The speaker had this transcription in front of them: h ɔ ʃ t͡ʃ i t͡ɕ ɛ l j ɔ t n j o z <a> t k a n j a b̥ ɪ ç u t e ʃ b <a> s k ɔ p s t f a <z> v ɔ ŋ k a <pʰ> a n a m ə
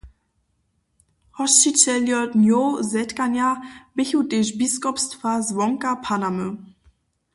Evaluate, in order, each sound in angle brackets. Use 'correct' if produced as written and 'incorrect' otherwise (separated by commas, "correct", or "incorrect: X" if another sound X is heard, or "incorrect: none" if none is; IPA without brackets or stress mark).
incorrect: ɛ, incorrect: i, correct, correct